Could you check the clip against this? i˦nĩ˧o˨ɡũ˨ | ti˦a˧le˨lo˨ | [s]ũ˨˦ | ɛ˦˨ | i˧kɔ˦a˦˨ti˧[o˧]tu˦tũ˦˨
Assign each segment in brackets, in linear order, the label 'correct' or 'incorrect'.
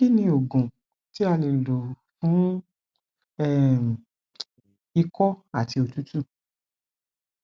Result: incorrect, correct

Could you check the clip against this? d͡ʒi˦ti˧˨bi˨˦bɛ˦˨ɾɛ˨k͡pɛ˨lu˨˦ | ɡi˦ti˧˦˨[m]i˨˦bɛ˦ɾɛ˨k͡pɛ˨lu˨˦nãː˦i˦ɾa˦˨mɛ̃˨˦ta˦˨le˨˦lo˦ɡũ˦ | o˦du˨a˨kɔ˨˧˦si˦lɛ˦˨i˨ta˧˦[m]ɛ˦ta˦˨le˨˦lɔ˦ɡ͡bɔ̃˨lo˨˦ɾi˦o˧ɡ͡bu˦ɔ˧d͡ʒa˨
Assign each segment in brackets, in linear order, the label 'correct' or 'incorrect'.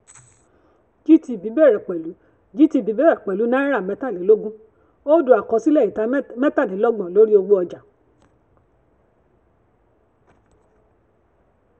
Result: incorrect, correct

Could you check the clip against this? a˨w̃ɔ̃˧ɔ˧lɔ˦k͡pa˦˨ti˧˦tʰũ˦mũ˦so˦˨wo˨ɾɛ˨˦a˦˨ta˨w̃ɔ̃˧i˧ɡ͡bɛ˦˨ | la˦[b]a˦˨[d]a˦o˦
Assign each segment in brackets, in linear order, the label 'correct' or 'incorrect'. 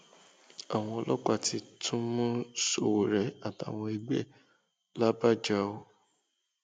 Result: correct, incorrect

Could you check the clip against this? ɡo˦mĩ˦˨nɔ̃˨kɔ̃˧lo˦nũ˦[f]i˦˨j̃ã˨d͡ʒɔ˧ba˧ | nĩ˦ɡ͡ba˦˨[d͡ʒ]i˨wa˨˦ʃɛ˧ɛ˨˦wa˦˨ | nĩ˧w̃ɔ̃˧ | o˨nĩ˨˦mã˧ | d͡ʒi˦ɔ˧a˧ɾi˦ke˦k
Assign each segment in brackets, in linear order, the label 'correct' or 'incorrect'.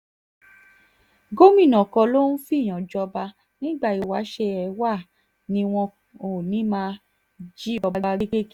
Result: correct, incorrect

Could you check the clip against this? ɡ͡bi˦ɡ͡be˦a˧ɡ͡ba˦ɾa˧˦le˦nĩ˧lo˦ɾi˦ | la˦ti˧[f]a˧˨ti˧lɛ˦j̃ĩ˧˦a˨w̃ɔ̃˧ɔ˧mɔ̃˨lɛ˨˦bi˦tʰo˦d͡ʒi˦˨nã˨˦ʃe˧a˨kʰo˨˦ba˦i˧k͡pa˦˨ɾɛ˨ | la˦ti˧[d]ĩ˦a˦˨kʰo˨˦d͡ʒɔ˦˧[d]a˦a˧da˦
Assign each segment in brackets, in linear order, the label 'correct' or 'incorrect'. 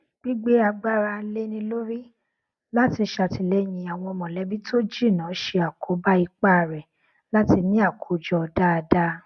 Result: incorrect, incorrect, correct

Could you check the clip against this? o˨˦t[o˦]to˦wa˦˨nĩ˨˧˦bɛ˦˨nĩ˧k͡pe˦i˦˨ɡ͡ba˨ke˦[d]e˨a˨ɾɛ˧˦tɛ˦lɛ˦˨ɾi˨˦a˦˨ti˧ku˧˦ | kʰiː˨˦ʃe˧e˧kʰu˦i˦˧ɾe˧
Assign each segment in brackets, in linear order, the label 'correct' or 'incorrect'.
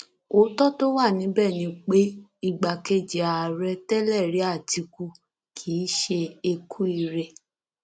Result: incorrect, incorrect

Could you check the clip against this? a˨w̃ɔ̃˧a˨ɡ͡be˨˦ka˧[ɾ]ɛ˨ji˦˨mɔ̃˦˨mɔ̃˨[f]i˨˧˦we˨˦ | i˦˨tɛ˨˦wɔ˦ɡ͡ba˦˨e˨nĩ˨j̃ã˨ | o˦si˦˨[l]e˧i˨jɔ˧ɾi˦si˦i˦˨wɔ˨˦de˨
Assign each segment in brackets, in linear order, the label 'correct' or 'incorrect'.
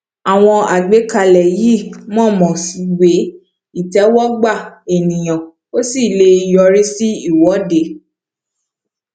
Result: incorrect, incorrect, correct

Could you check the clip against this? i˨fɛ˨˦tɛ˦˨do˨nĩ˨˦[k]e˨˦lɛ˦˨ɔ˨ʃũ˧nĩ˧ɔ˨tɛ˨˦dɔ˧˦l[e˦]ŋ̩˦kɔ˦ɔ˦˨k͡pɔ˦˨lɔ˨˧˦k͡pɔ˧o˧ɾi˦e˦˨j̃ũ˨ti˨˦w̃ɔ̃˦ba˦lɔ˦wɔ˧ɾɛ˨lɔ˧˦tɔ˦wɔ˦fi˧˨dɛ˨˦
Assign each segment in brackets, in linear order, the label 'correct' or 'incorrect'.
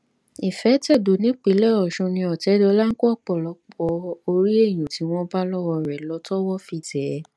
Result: incorrect, incorrect

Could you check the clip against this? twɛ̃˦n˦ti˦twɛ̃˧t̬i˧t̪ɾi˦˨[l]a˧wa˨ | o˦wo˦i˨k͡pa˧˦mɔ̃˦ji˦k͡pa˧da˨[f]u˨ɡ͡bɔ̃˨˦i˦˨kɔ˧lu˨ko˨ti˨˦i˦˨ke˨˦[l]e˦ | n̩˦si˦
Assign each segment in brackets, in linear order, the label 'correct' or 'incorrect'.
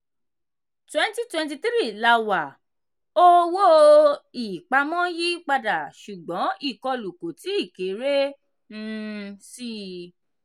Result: correct, incorrect, incorrect

